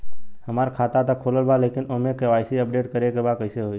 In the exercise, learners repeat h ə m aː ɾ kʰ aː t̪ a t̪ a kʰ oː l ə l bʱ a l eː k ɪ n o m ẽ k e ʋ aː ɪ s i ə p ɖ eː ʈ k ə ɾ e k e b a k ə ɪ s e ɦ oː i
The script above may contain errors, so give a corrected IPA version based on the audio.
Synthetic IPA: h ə m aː ɾ kʰ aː t̪ a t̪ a kʰ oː l ə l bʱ a l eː k ɪ n o m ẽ k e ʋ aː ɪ s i ə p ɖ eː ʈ k ə ɾ e k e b a k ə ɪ s e ɦ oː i